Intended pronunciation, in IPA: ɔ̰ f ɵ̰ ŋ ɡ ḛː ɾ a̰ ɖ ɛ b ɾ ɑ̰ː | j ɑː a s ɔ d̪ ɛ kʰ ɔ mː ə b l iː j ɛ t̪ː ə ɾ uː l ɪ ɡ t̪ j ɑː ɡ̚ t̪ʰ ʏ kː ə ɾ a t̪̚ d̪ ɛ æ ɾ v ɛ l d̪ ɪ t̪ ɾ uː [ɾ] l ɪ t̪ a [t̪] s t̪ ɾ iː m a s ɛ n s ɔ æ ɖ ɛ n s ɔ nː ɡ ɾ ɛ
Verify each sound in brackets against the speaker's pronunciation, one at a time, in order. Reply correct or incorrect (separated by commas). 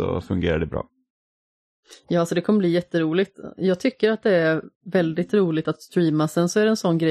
incorrect, correct